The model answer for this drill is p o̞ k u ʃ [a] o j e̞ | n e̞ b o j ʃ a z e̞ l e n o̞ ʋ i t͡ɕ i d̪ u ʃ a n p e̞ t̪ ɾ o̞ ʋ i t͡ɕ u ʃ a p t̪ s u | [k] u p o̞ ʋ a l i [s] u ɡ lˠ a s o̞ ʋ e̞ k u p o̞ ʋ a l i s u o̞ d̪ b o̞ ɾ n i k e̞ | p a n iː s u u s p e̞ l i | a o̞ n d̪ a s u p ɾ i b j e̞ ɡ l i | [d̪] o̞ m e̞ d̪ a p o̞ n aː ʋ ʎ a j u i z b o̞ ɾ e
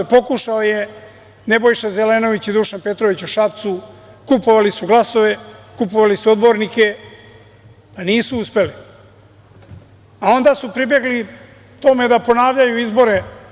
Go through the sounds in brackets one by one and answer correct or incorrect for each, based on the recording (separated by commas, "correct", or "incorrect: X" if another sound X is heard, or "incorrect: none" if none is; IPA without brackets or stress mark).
correct, correct, correct, incorrect: t̪